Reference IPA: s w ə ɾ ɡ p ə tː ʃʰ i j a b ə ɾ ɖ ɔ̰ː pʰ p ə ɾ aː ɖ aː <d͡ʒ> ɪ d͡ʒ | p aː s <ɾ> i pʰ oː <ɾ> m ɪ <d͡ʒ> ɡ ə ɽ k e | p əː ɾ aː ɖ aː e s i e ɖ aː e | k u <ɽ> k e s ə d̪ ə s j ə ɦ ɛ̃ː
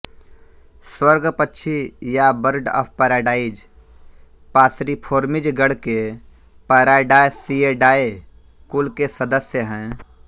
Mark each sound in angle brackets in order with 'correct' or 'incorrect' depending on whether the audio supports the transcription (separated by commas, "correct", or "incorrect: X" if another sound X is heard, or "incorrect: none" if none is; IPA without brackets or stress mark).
incorrect: none, correct, correct, correct, incorrect: l